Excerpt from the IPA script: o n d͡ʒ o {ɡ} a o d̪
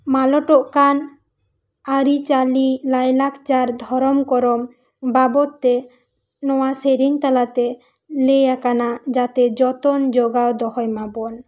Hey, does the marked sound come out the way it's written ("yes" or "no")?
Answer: yes